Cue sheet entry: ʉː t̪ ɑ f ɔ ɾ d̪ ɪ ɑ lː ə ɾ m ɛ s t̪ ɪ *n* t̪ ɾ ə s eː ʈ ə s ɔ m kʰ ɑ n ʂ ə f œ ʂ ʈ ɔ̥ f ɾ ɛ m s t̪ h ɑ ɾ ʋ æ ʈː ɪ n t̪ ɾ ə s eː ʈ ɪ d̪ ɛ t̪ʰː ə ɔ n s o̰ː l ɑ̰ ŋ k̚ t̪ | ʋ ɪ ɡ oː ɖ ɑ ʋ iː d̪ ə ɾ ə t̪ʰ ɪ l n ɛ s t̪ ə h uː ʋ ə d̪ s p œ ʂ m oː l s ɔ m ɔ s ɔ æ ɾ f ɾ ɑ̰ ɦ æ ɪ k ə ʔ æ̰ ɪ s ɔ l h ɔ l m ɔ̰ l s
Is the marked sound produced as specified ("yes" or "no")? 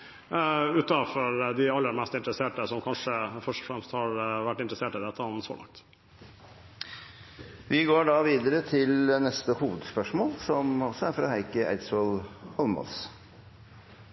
yes